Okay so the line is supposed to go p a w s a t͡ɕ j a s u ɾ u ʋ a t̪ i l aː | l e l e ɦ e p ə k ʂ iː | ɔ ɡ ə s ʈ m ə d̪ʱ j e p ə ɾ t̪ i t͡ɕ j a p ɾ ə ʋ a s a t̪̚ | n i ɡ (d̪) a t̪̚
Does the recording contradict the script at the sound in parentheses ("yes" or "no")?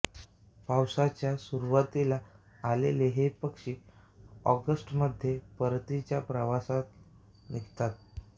yes